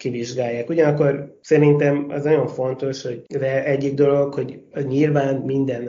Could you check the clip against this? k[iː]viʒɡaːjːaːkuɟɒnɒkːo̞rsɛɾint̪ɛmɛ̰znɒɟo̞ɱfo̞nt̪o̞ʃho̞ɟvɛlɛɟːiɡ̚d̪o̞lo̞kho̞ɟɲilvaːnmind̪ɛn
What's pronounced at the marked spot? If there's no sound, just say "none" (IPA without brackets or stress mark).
i